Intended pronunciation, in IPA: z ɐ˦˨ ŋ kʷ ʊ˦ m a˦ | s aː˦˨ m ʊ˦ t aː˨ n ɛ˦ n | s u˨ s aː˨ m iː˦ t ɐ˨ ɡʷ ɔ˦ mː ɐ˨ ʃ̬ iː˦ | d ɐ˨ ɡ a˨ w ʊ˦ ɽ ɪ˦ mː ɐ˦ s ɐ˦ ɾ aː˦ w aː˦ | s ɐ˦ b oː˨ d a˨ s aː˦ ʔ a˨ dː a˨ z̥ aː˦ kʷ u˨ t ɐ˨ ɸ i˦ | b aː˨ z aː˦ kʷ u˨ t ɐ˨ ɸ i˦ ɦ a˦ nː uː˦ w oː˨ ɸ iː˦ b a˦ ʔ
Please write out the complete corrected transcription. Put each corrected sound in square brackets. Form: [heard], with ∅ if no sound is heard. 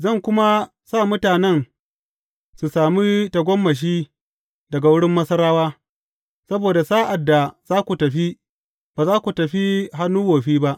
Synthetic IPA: z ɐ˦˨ ŋ kʷ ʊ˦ m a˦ | s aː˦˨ m ʊ˦ t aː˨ n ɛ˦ n | s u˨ s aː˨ m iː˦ t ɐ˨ ɡʷ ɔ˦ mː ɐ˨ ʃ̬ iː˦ | d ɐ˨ ɡ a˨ w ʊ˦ ɽ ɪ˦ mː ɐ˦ s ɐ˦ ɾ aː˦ w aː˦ | s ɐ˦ b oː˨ d a˨ s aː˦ ʔ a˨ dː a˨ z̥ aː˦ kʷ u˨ t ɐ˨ ɸ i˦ | b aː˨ z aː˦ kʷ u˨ t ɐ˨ ɸ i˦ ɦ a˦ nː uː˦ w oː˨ ɸ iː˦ b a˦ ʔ